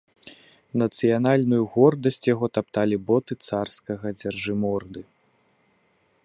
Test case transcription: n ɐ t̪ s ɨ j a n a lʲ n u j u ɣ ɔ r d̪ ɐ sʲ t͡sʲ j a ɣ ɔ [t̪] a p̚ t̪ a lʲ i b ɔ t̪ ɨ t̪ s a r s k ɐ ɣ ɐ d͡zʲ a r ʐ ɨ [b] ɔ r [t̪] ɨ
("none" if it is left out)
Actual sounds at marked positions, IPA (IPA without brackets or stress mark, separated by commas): t̪, m, d̪